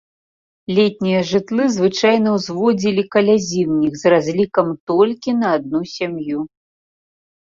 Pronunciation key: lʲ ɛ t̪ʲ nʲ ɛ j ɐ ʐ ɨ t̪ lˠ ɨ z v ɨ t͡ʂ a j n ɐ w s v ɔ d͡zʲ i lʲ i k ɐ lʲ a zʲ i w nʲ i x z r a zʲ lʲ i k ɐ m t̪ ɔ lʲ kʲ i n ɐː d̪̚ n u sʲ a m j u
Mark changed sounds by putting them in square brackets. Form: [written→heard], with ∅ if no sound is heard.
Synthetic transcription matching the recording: lʲ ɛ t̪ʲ nʲ [ɛ→i] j ɐ ʐ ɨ t̪ lˠ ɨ z v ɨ t͡ʂ a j n ɐ w [s→z] v ɔ d͡zʲ i lʲ i k ɐ lʲ a zʲ i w nʲ i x z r a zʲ lʲ i k ɐ m t̪ ɔ lʲ kʲ i n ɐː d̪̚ n u sʲ a m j u

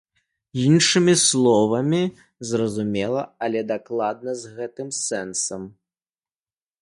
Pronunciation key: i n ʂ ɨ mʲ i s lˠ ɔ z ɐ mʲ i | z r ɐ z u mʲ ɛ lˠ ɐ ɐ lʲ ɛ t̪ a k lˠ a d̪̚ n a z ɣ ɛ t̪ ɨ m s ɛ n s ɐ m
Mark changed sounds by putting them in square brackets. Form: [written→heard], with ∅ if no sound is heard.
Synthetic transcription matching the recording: i n ʂ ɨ mʲ i s lˠ ɔ [z→v] ɐ mʲ i | z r ɐ z u mʲ ɛ lˠ ɐ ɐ lʲ ɛ [t̪→d̪] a k lˠ a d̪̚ n [a→ɐ] z ɣ ɛ t̪ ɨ m s ɛ n s ɐ m

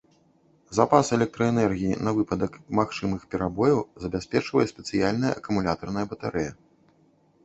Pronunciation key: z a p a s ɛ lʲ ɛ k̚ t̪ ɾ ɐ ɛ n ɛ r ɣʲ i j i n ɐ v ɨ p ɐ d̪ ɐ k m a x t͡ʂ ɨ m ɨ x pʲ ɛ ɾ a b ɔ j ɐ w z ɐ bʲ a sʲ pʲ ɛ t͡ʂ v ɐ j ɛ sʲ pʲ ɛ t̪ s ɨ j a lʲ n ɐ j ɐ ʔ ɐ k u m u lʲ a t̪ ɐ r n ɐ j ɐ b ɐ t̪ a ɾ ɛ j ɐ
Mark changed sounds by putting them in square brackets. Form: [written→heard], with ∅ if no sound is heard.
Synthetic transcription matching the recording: z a p a s ɛ lʲ ɛ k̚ t̪ ɾ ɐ ɛ n ɛ r ɣʲ i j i n ɐ v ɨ p ɐ d̪ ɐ k m a x t͡ʂ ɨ m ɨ x pʲ ɛ ɾ a b ɔ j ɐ w z ɐ bʲ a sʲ pʲ ɛ t͡ʂ v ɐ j ɛ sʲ pʲ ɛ t̪ s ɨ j a lʲ n ɐ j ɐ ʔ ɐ k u m u lʲ a t̪ ɐ r n ɐ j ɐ b ɐ t̪ a ɾ ɛ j ɐ

